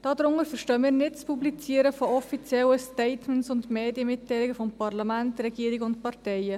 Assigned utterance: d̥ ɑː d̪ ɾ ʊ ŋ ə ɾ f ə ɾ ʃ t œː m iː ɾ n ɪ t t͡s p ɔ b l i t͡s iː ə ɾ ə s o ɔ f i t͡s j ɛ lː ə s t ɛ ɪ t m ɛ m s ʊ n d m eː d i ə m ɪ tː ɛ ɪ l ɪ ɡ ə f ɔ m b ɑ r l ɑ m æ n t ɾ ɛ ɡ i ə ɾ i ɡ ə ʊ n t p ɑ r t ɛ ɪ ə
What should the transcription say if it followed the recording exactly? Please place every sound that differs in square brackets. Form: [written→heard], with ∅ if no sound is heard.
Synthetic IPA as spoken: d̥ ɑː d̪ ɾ ʊ ŋ ə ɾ f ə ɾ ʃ t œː m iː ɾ n ɪ t t͡s p [ɔ→u] b l i t͡s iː ə ɾ ə [s→f] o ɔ f i t͡s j ɛ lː ə s t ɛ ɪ t m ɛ [m→n] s ʊ n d m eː d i ə m ɪ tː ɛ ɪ l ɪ ɡ ə f ɔ m [b→p] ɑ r l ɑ m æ n t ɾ ɛ ɡ i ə ɾ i ɡ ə ʊ n t p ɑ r t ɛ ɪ ə